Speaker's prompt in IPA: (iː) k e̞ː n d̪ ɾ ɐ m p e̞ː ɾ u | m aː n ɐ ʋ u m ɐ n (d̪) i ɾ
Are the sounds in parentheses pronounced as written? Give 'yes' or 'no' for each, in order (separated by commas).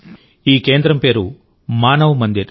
yes, yes